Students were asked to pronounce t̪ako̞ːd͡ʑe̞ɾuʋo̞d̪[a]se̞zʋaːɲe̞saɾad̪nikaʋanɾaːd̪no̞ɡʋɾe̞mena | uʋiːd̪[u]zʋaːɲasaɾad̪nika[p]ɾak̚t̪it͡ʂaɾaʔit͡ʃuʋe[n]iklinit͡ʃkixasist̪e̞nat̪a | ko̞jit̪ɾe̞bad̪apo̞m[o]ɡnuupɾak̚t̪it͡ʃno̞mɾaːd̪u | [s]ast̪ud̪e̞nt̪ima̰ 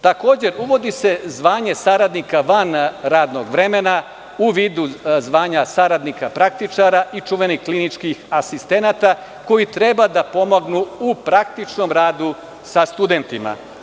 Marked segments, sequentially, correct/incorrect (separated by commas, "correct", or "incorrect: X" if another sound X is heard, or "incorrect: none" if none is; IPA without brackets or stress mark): incorrect: i, correct, correct, correct, correct, correct